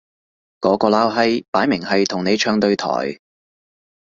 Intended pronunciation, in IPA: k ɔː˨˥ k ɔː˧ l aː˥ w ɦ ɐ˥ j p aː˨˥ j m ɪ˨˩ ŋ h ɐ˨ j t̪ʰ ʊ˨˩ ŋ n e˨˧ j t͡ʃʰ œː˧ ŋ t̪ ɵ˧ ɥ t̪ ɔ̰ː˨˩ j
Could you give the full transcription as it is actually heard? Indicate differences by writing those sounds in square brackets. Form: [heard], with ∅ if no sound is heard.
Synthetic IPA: k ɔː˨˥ k ɔː˧ l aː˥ w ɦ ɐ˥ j p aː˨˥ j m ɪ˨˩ ŋ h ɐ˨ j t̪ʰ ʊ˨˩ ŋ n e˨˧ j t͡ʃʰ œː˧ ŋ t̪ ɵ˧ ɥ [t̪ʰ] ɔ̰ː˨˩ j